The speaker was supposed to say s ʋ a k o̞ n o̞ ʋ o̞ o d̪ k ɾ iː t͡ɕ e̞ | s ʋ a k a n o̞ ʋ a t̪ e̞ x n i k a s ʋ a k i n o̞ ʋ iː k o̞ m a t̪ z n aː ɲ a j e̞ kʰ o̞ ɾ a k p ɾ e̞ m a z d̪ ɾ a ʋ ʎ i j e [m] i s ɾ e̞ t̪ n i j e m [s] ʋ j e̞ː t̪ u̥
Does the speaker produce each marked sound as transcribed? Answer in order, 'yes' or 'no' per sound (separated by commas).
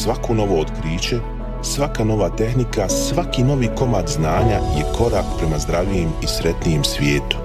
yes, yes